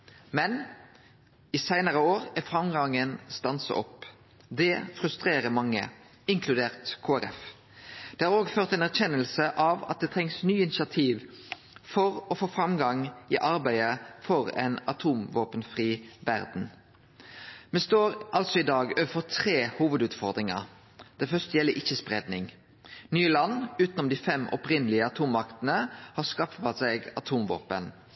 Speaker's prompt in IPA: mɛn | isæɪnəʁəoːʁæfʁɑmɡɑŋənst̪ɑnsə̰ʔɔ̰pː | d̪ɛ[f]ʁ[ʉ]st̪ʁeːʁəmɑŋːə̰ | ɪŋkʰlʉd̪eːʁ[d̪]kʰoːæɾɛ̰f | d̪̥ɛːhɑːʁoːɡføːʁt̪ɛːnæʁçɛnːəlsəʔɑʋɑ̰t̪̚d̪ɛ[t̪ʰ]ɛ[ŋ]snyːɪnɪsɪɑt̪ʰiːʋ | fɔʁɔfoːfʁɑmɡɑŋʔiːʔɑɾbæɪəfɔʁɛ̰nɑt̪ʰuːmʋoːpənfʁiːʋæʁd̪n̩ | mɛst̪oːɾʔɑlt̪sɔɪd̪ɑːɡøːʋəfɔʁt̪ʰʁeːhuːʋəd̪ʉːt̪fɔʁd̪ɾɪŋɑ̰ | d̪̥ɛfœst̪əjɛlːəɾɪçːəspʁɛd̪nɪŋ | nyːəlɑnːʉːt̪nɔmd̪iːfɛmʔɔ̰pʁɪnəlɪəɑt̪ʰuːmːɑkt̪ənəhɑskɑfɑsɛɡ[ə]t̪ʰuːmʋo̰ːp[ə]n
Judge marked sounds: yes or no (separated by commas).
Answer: yes, yes, no, yes, yes, no, yes